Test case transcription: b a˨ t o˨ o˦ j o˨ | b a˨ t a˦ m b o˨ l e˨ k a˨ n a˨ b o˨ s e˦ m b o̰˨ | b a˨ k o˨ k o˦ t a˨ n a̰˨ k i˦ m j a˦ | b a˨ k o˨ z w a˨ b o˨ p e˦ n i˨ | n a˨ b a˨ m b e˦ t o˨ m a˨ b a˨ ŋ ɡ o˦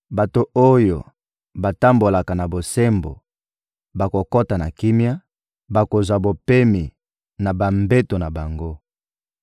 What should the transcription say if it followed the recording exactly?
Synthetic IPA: b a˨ t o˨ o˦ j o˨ | b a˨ t a˦ m b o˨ l a˨ k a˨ n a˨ b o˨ s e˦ m b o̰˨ | b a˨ k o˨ k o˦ t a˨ n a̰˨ k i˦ m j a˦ | b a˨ k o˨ z w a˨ b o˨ p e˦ m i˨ | n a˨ b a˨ m b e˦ t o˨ n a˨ b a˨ ŋ ɡ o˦